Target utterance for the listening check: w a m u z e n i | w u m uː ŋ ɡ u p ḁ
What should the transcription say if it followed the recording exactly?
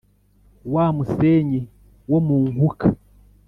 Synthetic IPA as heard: w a m u s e ɲ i | w o m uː ŋ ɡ u k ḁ